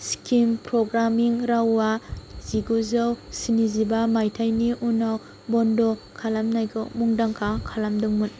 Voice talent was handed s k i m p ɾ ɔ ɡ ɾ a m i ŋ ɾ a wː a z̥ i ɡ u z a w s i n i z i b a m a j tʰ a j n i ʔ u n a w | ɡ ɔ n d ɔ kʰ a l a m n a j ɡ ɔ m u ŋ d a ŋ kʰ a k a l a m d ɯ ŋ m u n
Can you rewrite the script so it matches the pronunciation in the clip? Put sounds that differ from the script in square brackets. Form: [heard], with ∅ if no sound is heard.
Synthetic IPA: s k i m p ɾ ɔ ɡ ɾ a m i ŋ ɾ a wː a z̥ i ɡ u z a w s i n i z i b a m a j tʰ a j n i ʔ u n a w | [b] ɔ n d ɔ kʰ a l a m n a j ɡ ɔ m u ŋ d a ŋ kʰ a [kʰ] a l a m d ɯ ŋ m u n